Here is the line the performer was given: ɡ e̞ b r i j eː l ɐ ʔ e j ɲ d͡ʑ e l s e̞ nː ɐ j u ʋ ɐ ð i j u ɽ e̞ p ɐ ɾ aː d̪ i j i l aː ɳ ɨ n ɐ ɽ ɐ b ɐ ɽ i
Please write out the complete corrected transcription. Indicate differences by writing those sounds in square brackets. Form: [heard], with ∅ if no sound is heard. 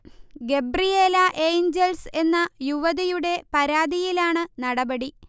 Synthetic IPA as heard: ɡ e̞ b r i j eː l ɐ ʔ e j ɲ d͡ʑ e l s e̞ nː ɐ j u ʋ ɐ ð i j u ɽ e̞ p ɐ ɾ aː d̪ i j i l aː ɳ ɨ n ɐ ɽ ɐ b ɐ ɽ i